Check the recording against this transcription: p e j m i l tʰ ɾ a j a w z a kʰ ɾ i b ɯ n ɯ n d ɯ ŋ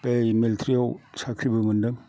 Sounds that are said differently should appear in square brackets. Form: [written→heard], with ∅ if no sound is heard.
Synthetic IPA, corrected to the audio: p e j m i l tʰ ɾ [a→i] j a w [z→s] a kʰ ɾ i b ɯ [n→m] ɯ n d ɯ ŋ